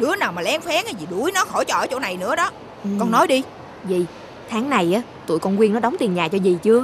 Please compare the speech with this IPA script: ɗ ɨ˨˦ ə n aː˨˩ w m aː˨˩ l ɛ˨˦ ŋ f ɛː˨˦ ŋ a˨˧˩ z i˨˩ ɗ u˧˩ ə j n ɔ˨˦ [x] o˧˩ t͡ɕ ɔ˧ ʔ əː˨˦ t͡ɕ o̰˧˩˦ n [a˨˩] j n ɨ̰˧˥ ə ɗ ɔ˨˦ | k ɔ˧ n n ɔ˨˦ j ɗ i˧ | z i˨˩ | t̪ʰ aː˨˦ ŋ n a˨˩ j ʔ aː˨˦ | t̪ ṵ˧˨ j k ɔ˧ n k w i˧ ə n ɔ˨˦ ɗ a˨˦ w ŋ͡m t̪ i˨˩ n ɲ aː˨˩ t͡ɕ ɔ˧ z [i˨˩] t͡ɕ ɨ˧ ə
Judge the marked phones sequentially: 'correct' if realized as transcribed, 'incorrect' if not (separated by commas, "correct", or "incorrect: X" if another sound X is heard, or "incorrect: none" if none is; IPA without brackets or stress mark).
correct, correct, correct